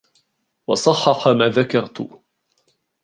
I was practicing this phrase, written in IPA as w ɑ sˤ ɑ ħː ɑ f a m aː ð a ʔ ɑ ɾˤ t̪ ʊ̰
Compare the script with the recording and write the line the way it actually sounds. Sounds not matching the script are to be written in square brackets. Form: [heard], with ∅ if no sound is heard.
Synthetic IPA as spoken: w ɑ sˤ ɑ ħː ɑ [ħ] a m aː ð a [k] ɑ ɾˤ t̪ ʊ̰